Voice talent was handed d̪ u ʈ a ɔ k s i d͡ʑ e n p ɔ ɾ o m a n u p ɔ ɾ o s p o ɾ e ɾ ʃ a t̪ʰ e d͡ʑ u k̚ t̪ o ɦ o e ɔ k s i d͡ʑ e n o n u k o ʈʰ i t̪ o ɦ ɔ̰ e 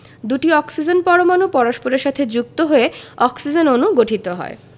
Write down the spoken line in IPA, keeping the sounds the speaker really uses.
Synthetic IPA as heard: d̪ u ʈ i ɔ k s i d͡ʑ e n p ɔ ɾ o m a n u p ɔ ɾ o ʃ p o ɾ e ɾ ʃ a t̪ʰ e d͡ʑ u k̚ t̪ o ɦ o e ɔ k s i d͡ʑ e n o n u ɡ o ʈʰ i t̪ o ɦ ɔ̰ e